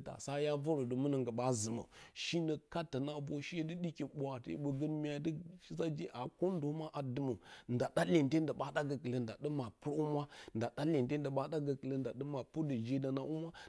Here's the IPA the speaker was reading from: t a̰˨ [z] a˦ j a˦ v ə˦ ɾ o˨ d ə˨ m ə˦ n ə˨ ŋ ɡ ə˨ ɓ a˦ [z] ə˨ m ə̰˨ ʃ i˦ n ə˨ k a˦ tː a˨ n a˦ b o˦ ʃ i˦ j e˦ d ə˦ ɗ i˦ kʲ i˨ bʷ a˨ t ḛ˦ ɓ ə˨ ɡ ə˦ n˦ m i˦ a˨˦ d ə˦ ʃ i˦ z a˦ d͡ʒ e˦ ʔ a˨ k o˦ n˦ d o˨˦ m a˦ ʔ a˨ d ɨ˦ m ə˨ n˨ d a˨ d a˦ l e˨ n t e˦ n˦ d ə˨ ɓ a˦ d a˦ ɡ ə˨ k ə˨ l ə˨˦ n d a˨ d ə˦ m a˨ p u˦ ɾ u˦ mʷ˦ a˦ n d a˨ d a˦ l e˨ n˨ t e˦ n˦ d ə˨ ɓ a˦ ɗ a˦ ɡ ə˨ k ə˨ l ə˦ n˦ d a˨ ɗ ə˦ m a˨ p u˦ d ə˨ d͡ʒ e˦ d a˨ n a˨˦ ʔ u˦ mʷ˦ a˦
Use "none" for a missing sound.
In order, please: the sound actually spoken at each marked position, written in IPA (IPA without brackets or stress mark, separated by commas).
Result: s, z